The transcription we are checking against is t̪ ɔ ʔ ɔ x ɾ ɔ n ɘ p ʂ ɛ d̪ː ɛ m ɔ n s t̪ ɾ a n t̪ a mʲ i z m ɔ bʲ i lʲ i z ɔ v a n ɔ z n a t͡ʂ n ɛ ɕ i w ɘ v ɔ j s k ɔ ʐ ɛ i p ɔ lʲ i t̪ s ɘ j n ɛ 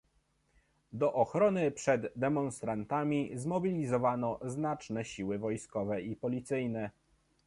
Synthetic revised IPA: d̪ ɔ ʔ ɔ x ɾ ɔ n ɘ p ʂ ɛ d̪ː ɛ m ɔ n s t̪ ɾ a n t̪ a mʲ i z m ɔ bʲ i lʲ i z ɔ v a n ɔ z n a t͡ʂ n ɛ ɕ i w ɘ v ɔ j s k ɔ v ɛ i p ɔ lʲ i t̪ s ɘ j n ɛ